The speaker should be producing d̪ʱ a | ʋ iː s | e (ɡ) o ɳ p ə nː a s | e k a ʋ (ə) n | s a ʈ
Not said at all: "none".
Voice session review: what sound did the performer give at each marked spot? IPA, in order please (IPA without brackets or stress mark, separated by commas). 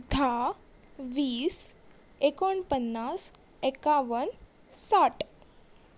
k, ə